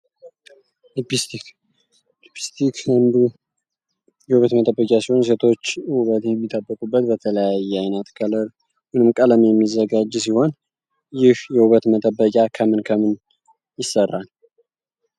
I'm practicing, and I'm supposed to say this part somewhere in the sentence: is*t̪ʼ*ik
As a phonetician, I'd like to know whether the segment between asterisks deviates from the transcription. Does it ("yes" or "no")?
yes